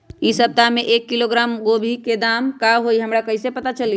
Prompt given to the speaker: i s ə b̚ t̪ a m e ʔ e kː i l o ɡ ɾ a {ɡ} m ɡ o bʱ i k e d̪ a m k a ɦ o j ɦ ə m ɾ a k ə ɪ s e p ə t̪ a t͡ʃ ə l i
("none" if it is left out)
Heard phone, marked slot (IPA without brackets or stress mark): none